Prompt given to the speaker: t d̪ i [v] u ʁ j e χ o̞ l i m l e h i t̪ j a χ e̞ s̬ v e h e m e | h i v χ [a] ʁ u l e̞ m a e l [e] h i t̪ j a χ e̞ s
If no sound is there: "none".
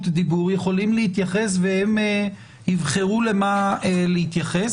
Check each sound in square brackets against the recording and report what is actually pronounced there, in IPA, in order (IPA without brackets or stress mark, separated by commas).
b, e, e